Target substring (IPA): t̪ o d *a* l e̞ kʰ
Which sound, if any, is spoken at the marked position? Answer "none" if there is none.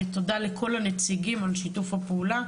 a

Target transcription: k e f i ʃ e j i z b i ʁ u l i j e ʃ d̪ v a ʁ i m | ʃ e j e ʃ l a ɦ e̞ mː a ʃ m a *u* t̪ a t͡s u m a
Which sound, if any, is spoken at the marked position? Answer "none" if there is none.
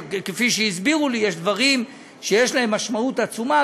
u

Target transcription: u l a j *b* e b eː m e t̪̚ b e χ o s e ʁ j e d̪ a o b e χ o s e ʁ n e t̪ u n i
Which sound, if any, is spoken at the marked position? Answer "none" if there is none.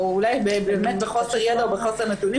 b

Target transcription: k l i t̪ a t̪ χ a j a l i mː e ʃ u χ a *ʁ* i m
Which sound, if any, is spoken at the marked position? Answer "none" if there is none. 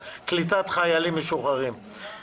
ʁ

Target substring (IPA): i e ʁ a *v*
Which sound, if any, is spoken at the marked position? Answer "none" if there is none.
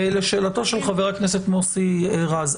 z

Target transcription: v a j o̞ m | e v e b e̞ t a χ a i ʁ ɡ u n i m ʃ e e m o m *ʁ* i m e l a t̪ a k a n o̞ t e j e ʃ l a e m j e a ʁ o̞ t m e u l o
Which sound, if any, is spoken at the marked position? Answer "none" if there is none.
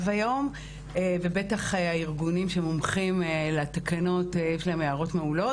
χ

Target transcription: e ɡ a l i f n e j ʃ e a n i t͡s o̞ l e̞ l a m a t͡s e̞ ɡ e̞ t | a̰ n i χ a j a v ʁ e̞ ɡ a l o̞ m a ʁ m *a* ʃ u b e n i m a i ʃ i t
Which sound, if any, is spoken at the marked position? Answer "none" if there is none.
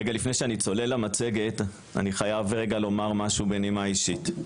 a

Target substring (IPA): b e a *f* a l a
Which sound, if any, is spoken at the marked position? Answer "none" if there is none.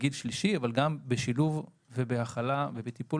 χ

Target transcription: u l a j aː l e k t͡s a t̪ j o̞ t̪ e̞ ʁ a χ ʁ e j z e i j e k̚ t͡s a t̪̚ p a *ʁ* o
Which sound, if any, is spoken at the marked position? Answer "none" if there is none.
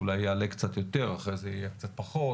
χ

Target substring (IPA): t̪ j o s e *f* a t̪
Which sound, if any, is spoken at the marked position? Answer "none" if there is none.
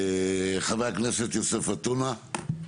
f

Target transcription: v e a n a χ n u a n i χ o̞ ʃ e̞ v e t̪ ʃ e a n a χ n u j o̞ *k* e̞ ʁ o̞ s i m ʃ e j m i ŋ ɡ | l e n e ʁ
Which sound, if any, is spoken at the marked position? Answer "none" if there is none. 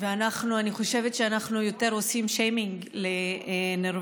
t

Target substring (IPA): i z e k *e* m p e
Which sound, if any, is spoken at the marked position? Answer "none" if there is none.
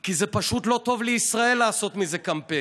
a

